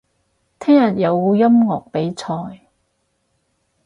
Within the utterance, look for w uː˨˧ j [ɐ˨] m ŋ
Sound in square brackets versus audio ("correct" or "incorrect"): incorrect